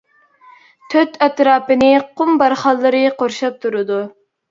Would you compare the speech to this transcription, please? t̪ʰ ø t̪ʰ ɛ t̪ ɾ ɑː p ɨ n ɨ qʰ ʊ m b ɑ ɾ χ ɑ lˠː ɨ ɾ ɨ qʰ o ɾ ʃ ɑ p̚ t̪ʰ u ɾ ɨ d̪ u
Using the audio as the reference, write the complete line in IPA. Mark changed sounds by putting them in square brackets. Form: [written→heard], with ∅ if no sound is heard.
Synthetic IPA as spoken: t̪ʰ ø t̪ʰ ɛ t̪ ɾ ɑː p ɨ n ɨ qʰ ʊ m b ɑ ɾ χ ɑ lˠː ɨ ɾ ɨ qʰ o ɾ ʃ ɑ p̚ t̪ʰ u ɾ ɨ d̪ u